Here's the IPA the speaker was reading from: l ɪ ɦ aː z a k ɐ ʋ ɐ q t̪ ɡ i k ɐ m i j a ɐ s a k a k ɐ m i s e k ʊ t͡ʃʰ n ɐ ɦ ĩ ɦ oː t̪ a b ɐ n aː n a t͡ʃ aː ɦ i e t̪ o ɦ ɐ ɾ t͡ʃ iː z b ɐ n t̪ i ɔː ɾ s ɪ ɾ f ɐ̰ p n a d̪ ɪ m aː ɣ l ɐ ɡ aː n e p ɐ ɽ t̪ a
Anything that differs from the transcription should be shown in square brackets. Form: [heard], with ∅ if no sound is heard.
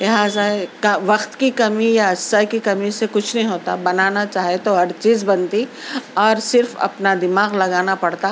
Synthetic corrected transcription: l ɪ ɦ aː z a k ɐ ʋ ɐ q t̪ [k] i k ɐ m i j a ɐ s a k [i] k ɐ m i s e k ʊ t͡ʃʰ n ɐ ɦ ĩ ɦ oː t̪ a b ɐ n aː n a t͡ʃ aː ɦ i e t̪ o ɦ ɐ ɾ t͡ʃ iː z b ɐ n t̪ i ɔː ɾ s ɪ ɾ f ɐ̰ p n a d̪ ɪ m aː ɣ l ɐ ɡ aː n [a] p ɐ ɽ t̪ a